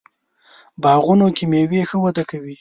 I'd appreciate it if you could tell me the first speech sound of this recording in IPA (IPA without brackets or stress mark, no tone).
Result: b